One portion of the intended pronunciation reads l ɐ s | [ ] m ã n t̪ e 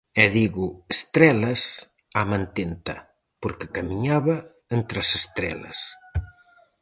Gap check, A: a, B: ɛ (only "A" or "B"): A